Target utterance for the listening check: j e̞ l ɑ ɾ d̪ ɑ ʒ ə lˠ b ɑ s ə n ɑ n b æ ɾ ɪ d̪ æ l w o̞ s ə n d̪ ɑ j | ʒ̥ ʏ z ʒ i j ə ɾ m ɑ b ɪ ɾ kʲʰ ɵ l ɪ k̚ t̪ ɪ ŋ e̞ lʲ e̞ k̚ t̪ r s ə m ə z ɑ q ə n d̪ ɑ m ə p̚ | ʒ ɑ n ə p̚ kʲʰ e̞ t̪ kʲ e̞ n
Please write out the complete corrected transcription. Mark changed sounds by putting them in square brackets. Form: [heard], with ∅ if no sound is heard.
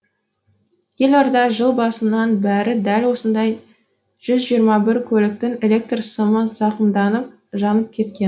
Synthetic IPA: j e̞ l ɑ ɾ d̪ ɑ ʒ ə lˠ b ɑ s ə n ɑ n b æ ɾ ɪ d̪ æ l w o̞ s ə n d̪ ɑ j | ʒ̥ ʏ z ʒ i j ə ɾ m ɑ b ɪ ɾ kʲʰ ɵ l ɪ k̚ t̪ ɪ ŋ e̞ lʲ e̞ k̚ t̪ r s ə m ə z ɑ q ə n d̪ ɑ [n] ə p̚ | ʒ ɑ n ə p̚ kʲʰ e̞ t̪ kʲ e̞ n